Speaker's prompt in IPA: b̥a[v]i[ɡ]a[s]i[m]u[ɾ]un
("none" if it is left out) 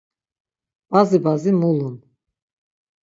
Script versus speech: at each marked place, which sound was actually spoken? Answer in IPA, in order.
z, b, z, m, l

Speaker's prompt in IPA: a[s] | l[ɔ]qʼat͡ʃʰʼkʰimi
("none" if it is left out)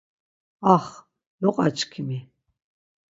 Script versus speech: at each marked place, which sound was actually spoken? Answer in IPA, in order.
χ, ɔ

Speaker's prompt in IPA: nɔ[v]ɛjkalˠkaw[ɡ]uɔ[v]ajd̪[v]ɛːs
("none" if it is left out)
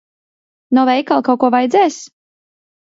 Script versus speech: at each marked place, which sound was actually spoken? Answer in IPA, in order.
v, k, v, z

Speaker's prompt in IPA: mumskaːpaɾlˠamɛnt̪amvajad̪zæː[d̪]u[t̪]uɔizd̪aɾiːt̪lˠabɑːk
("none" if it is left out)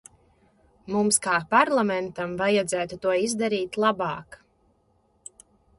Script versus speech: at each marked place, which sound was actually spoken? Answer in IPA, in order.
t̪, t̪

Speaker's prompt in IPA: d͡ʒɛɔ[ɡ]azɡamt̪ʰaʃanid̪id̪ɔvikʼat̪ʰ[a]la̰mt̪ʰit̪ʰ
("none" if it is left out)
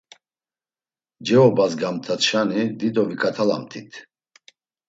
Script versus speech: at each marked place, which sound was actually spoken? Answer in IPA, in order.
b, a

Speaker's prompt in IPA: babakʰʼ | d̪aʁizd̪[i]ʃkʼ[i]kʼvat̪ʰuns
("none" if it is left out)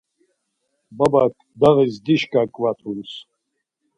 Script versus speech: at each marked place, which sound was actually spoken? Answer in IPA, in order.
i, a

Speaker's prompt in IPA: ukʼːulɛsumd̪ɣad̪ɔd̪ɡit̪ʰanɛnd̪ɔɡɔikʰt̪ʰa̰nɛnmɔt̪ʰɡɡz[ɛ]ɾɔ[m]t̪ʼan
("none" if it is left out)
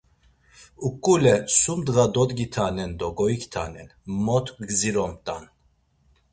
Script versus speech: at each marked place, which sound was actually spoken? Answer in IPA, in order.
i, m

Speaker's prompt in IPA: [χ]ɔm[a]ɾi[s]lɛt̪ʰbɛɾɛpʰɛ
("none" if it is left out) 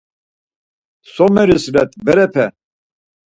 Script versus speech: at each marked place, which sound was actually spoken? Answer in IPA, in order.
s, ɛ, s

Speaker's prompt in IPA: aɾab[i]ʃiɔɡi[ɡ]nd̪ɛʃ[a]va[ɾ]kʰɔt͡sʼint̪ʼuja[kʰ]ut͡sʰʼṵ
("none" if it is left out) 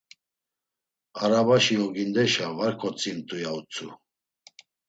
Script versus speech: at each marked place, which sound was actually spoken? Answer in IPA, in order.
a, none, a, ɾ, none

